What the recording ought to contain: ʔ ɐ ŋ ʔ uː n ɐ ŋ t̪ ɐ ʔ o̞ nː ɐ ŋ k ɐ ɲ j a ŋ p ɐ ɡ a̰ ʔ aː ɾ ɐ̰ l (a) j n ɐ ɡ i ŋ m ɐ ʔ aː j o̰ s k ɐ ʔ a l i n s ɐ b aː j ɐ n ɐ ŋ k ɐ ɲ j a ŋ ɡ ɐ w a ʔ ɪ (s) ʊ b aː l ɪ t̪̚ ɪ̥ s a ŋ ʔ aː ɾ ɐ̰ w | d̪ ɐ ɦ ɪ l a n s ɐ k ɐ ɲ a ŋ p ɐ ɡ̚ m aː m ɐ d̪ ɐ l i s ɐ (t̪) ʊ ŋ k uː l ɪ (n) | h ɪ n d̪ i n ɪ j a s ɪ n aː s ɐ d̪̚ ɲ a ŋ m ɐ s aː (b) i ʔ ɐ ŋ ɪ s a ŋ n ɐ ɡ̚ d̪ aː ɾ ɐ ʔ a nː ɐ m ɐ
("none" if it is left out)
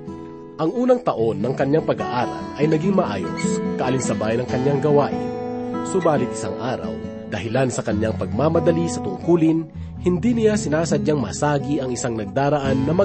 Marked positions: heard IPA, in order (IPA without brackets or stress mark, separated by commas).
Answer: ɐ, s, t̪, n, ɡ